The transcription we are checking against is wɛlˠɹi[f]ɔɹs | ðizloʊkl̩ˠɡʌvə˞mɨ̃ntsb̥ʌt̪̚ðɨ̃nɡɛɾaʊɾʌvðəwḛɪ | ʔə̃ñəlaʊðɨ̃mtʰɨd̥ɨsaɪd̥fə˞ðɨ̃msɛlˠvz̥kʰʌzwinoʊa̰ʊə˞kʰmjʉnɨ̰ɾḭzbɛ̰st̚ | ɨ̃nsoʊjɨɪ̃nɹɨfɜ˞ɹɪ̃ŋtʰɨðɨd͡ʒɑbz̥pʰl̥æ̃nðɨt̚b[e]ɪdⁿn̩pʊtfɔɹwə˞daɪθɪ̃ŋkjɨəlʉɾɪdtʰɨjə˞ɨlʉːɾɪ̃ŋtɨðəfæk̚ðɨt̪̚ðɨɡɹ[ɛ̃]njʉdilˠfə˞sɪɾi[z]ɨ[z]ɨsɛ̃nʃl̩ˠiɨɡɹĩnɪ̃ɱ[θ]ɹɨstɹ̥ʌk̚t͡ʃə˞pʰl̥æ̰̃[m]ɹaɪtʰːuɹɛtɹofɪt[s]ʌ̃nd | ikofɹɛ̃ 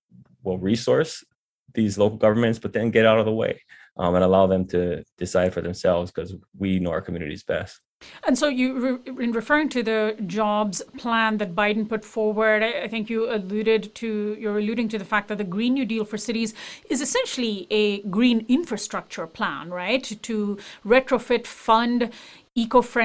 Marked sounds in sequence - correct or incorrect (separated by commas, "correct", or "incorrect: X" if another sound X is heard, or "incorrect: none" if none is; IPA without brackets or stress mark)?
incorrect: s, incorrect: a, incorrect: ĩ, correct, correct, incorrect: f, incorrect: n, incorrect: f